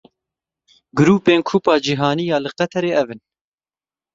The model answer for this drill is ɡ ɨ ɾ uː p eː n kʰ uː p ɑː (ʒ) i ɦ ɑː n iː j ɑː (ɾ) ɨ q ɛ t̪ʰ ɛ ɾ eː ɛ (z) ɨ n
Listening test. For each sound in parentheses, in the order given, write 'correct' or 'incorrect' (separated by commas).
incorrect, incorrect, incorrect